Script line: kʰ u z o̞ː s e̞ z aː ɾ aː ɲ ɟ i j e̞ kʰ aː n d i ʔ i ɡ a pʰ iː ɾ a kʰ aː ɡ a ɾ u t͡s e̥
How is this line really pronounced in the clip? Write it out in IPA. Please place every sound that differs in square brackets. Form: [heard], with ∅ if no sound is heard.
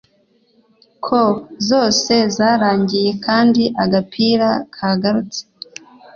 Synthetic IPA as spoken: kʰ [o] z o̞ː s e̞ z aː ɾ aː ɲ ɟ i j e̞ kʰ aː n d i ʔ [a] ɡ a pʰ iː ɾ a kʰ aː ɡ a ɾ u t͡s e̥